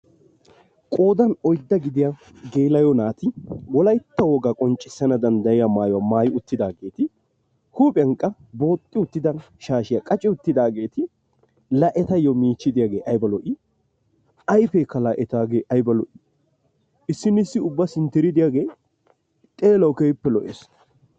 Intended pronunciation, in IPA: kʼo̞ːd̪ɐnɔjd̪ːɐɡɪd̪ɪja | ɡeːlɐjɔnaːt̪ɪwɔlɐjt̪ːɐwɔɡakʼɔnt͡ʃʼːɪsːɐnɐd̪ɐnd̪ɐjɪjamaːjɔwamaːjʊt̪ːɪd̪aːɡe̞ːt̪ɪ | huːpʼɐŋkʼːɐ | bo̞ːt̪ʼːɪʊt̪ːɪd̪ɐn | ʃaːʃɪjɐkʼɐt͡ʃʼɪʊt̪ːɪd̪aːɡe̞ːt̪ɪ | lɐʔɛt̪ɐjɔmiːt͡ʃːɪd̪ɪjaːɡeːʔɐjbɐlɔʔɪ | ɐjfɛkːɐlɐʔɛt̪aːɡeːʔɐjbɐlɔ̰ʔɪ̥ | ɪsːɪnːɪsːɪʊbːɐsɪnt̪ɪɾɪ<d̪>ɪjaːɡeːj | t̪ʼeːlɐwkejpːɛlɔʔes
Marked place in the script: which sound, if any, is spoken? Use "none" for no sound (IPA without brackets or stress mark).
d̪